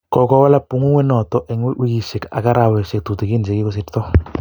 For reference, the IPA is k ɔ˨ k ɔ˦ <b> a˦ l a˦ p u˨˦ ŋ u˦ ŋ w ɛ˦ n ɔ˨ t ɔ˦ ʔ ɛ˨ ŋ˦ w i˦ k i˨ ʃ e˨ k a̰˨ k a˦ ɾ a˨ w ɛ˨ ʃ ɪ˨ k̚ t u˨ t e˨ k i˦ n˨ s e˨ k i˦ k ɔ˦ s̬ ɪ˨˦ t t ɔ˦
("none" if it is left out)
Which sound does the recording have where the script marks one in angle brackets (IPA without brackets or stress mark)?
w